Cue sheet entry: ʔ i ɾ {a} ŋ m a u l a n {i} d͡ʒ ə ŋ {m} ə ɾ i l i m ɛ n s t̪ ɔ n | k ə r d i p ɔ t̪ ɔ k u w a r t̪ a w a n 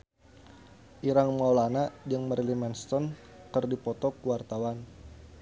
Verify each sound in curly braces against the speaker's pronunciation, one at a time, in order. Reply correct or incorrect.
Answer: correct, incorrect: a, correct

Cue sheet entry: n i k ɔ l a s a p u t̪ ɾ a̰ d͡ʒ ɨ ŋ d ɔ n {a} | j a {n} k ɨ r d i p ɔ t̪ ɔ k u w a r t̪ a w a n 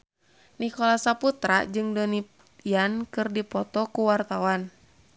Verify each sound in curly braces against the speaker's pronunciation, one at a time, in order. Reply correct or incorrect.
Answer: incorrect: i, correct

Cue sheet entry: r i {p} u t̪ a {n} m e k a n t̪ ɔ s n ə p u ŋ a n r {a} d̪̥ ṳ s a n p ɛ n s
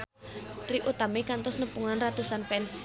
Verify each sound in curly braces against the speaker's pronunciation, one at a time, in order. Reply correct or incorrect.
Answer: incorrect: ʔ, incorrect: none, correct

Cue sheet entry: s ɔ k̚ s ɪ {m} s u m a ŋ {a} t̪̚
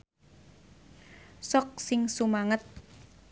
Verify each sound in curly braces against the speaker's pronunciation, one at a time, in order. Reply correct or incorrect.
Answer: incorrect: ŋ, incorrect: ə

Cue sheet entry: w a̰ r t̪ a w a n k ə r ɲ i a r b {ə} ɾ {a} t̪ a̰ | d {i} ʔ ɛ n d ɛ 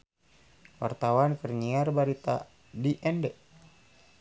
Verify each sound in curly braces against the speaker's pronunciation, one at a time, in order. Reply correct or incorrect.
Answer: incorrect: a, incorrect: i, correct

